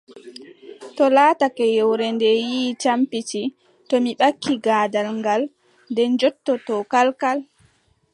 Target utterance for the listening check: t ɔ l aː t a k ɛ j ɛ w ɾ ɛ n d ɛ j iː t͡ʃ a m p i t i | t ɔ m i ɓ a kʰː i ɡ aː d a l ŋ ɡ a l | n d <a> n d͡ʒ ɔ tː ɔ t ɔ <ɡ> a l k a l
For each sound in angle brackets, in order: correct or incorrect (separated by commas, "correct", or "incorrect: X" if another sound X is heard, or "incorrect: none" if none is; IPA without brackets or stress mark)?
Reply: incorrect: ɛ, incorrect: k